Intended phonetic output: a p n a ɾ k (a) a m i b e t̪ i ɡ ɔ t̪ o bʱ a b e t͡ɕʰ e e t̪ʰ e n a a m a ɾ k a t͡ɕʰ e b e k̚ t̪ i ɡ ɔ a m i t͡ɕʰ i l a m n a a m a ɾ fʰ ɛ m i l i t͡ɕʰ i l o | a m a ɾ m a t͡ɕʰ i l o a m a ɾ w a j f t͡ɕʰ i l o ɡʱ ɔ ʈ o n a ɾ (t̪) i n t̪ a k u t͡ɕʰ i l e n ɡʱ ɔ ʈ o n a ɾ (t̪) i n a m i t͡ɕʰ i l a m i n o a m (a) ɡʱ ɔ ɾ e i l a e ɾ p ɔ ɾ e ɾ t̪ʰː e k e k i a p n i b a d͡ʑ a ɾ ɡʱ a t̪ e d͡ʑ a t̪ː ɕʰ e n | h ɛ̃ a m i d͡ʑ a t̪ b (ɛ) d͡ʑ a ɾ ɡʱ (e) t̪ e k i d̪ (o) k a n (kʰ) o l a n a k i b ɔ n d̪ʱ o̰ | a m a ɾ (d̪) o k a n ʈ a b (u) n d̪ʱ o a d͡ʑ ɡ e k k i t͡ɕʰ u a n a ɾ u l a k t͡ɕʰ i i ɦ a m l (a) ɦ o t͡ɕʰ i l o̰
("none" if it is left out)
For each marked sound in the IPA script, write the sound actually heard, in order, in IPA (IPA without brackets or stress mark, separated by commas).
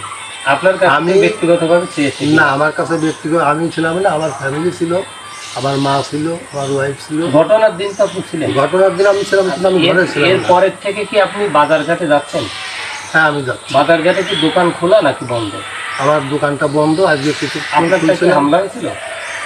a, d̪, d̪, i, a, a, o, kʰ, d̪, ɔ, a